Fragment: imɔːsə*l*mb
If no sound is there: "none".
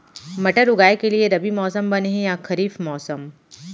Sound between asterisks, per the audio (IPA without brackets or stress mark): none